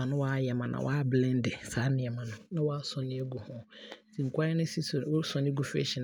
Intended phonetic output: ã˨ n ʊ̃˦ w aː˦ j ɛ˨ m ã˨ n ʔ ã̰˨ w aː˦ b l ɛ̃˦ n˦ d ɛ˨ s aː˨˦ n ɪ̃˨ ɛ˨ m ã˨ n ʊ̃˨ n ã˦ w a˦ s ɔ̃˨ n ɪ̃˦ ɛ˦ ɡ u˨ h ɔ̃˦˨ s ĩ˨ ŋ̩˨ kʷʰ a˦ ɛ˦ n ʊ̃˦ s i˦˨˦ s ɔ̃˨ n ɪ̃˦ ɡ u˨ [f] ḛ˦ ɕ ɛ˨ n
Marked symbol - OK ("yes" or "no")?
yes